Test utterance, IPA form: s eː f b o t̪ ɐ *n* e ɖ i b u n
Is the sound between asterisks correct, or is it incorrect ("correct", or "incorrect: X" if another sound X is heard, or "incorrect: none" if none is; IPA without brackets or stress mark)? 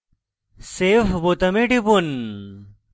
incorrect: m